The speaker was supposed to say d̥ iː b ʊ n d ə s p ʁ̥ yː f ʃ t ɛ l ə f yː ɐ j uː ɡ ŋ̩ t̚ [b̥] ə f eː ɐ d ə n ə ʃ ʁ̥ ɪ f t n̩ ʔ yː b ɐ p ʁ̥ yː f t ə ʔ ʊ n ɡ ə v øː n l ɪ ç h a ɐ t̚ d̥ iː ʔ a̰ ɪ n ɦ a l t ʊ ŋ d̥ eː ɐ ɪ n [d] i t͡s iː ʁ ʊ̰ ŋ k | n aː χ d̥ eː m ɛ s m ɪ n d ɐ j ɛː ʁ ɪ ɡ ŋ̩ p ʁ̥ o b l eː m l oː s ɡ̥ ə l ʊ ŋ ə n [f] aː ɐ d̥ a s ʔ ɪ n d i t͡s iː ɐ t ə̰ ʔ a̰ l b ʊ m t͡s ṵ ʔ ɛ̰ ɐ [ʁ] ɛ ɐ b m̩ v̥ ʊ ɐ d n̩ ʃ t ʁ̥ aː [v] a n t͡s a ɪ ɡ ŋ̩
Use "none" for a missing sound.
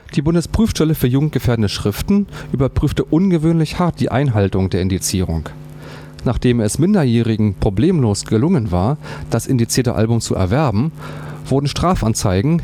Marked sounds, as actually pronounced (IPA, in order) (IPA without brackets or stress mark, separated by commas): ɡ̥, d, v, v, f